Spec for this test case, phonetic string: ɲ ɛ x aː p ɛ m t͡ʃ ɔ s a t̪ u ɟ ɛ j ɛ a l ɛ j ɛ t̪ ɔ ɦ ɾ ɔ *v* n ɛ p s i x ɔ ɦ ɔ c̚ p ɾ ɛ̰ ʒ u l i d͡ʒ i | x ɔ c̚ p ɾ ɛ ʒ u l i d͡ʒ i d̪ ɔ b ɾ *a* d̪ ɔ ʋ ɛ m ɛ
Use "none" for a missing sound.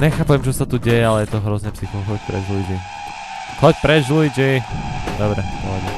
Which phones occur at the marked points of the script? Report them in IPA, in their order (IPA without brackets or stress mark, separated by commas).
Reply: z, ɛ